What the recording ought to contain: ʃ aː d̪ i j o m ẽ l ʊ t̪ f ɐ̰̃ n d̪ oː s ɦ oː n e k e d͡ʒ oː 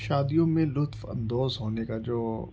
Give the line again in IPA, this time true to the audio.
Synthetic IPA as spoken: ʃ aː d̪ i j õ m ẽ l ʊ t̪ f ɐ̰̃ n d̪ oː z ɦ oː n e k a d͡ʒ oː